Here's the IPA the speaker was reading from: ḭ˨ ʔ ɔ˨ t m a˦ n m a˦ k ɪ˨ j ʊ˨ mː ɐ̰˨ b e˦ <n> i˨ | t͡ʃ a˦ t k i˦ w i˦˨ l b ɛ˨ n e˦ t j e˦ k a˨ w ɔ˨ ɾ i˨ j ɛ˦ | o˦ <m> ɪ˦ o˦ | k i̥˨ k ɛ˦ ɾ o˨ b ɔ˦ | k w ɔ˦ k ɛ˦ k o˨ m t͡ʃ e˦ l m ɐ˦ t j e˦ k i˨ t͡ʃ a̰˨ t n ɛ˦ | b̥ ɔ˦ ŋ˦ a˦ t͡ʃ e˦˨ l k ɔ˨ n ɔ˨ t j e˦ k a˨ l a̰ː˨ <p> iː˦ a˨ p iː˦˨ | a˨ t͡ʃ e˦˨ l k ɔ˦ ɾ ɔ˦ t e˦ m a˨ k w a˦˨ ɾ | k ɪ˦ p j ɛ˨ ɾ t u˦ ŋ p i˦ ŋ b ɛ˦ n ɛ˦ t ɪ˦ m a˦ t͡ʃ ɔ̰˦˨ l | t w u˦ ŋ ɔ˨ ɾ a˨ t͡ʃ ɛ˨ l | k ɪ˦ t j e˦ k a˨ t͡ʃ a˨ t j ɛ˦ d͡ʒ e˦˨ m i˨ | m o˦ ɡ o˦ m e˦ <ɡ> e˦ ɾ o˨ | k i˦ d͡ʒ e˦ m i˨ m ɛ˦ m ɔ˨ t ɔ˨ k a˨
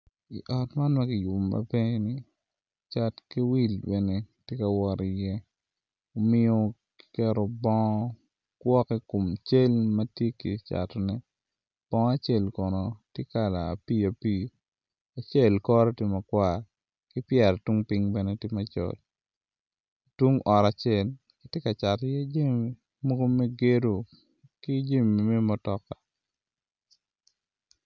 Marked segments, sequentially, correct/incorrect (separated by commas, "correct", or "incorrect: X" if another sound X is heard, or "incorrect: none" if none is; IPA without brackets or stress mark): correct, correct, correct, correct